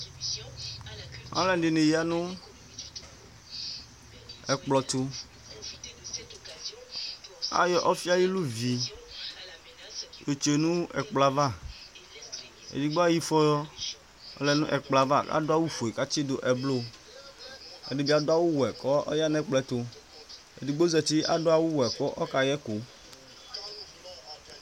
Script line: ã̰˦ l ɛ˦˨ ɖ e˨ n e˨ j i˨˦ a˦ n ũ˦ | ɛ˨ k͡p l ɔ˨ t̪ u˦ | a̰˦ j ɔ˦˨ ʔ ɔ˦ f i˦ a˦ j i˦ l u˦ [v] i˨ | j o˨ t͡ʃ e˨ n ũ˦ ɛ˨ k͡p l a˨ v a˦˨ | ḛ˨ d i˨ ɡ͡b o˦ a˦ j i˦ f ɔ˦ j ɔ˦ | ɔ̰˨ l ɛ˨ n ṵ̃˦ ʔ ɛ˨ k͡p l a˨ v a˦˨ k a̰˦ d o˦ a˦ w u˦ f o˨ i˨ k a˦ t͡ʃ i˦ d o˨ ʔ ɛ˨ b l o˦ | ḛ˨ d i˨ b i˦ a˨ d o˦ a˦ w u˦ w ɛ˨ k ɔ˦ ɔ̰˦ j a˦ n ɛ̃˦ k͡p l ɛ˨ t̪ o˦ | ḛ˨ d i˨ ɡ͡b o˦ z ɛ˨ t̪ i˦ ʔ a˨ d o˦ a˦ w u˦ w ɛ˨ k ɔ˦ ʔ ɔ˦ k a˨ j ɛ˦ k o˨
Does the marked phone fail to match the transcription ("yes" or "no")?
no